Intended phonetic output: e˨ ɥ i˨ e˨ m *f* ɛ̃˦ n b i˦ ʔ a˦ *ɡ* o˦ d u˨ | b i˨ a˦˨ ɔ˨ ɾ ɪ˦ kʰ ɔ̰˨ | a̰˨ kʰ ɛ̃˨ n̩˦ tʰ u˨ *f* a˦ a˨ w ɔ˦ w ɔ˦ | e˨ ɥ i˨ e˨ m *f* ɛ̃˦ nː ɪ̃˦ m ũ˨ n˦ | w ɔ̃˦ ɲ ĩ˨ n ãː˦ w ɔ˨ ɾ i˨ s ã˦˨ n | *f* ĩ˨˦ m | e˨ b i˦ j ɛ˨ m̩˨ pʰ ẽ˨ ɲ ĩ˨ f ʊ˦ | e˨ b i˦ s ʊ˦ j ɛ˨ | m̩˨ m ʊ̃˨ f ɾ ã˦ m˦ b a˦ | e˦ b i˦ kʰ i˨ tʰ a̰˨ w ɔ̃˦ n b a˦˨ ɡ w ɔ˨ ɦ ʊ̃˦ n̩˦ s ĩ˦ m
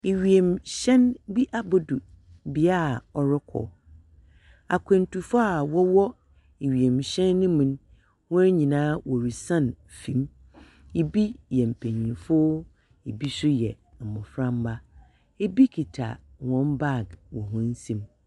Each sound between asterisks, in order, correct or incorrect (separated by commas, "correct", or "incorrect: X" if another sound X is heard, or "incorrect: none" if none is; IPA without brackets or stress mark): incorrect: ɕ, incorrect: b, correct, incorrect: ɕ, correct